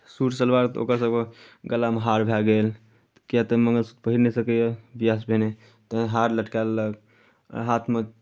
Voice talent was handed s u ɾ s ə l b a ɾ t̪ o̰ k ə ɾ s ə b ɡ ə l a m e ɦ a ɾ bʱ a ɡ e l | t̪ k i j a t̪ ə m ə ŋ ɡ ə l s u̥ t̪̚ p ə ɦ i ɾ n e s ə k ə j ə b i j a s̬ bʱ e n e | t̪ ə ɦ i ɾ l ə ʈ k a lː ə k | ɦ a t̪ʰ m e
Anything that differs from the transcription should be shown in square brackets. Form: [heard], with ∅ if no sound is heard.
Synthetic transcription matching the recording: s u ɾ s ə l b a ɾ t̪ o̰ k ə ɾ s ə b ɡ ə l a m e ɦ a ɾ bʱ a ɡ e l | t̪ k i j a t̪ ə m ə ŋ ɡ ə l s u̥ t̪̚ p ə ɦ i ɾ n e s ə k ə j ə b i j a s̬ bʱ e n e | t̪ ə ɦ [a] ɾ l ə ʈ k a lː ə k | ɦ a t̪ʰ m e